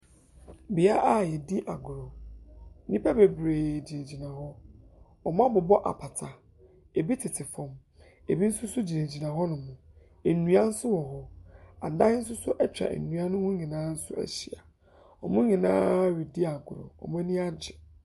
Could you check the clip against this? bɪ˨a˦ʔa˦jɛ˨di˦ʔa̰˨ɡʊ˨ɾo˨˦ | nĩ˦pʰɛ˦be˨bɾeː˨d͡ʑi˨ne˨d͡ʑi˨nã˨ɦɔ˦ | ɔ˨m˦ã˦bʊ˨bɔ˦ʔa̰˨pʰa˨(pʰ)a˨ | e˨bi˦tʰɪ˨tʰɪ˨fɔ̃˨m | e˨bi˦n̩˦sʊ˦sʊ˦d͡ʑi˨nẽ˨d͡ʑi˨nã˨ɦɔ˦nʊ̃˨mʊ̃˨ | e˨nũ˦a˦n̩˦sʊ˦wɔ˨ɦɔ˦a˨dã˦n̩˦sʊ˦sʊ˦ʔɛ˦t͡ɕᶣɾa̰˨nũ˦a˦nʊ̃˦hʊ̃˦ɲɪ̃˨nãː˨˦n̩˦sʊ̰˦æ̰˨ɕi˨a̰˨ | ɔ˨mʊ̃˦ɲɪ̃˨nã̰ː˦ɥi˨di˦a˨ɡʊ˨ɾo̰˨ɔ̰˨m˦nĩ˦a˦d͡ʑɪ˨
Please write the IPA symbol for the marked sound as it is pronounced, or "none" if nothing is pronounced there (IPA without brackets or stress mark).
tʰ